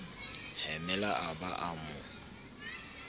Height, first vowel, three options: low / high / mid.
mid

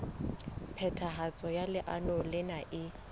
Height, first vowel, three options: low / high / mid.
mid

